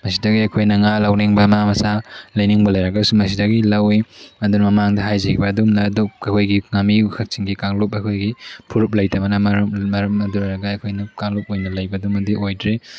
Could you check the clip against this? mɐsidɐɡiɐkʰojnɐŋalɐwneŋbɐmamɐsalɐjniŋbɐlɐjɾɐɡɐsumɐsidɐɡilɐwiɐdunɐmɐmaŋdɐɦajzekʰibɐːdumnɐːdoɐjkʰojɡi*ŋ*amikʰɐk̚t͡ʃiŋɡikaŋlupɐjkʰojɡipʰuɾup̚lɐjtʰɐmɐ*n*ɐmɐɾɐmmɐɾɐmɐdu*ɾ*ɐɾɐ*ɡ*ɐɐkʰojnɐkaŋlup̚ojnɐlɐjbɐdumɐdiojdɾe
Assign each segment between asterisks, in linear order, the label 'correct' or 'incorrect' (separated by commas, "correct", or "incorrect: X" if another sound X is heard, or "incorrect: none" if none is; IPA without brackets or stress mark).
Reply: correct, correct, correct, correct